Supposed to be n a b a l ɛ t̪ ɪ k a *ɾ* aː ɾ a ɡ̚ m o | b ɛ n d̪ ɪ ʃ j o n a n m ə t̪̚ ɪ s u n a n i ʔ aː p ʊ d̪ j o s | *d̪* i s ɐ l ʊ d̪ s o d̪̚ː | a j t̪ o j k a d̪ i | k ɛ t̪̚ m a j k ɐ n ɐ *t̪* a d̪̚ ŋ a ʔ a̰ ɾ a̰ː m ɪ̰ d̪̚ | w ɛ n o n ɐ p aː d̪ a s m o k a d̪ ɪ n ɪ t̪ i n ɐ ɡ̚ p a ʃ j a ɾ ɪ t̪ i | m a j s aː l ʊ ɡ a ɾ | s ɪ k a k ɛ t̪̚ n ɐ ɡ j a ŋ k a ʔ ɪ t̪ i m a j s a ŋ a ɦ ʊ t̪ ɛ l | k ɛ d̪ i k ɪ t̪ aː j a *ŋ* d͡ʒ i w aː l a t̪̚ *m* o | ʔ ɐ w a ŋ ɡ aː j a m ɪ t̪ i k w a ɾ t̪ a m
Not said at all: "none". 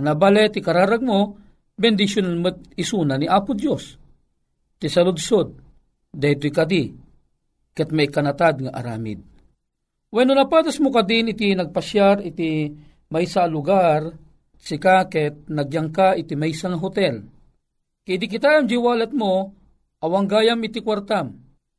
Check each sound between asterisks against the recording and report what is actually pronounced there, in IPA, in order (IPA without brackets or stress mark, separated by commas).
ɾ, t̪, t̪, m, m